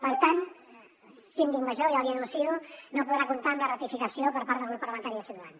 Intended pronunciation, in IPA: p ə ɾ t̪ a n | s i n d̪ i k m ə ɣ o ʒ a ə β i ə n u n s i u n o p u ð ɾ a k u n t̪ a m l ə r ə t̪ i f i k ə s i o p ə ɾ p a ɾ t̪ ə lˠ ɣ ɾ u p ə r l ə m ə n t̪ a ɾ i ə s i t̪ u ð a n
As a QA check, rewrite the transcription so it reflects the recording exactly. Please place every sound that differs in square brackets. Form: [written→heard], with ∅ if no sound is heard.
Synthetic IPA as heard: p ə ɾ t̪ a n | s i n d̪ i k m ə [ɣ→ʒ] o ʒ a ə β i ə n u n s i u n o p u ð ɾ a k u n t̪ a m l ə r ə t̪ i f i k ə s i o p ə ɾ p a ɾ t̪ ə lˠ ɣ ɾ u p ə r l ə m ə n t̪ a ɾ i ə s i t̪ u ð a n

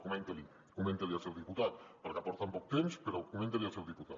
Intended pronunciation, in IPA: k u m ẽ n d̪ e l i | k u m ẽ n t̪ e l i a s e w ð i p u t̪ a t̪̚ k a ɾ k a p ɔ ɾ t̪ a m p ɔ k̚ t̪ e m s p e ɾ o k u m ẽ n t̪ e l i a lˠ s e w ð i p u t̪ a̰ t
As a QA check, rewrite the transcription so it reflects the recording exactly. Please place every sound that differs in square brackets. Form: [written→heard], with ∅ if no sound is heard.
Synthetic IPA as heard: k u m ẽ n [d̪→t̪] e l i | k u m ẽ n t̪ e l i a s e w ð i p u t̪ a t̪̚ [k→p] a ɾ k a p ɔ ɾ t̪ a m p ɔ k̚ t̪ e m s p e ɾ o k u m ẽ n t̪ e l i a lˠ s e w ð i p u t̪ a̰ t

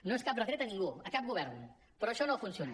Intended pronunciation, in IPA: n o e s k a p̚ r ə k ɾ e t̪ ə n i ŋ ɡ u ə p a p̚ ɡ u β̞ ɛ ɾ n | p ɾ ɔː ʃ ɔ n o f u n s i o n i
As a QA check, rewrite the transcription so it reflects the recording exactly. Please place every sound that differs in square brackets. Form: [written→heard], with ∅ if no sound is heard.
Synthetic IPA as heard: n o e s k a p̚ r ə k ɾ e t̪ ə n i ŋ ɡ u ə [p→k] a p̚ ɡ u β̞ ɛ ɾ n | p ɾ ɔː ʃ ɔ n o f u n s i o n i

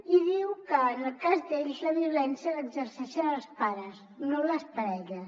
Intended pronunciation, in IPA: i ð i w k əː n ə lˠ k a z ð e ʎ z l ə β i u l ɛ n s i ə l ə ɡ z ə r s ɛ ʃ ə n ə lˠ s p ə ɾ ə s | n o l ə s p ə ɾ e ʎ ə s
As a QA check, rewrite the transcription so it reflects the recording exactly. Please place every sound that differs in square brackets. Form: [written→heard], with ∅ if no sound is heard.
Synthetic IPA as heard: i ð i w k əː n ə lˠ k a z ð e ʎ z l ə β i u l ɛ n s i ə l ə ɡ z ə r s ɛ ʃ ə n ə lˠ s p [ə→a] ɾ ə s | n o l ə s p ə ɾ [e→ɛ] ʎ ə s

